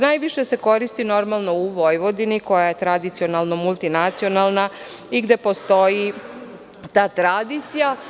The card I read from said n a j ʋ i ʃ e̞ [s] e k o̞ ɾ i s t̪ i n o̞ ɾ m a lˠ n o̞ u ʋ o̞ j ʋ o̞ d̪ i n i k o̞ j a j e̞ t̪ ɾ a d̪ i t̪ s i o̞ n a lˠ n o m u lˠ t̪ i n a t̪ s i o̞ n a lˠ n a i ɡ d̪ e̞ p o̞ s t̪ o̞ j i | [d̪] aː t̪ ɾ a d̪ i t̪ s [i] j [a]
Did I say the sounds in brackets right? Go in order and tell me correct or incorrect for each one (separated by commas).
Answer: correct, incorrect, correct, correct